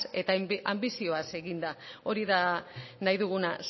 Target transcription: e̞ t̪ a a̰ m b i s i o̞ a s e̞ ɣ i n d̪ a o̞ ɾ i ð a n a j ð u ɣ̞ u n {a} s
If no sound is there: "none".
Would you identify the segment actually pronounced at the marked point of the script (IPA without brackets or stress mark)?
a